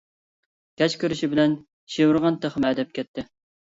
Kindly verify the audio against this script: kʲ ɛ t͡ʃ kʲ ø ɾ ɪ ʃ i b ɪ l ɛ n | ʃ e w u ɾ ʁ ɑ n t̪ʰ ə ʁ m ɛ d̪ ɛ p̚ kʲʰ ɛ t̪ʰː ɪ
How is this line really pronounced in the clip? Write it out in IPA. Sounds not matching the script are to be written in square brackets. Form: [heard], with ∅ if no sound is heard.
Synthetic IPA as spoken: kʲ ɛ t͡ʃ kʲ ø ɾ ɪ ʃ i b ɪ l ɛ n | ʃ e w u ɾ ʁ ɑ n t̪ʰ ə [χ] m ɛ d̪ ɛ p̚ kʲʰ ɛ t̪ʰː ɪ